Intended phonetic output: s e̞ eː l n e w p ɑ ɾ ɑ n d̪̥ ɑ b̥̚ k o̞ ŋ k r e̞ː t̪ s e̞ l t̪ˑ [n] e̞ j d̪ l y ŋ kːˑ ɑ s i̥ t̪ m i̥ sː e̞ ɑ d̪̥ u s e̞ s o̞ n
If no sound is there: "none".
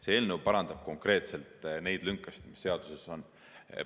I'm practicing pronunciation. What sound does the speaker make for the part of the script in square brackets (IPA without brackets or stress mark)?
n